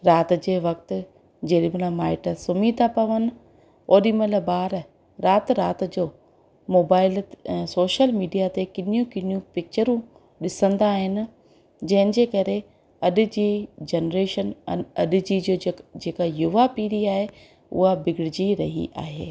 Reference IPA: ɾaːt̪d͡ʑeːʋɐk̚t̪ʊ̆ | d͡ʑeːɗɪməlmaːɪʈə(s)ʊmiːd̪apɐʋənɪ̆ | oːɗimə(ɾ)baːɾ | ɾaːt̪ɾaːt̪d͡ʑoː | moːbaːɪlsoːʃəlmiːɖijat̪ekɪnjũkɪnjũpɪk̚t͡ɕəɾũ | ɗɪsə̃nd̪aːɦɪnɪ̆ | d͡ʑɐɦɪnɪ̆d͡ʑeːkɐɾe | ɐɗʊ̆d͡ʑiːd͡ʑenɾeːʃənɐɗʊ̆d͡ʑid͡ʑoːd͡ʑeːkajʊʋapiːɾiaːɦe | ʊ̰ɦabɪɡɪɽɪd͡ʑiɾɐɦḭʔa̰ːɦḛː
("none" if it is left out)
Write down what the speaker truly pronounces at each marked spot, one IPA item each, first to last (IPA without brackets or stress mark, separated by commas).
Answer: s, l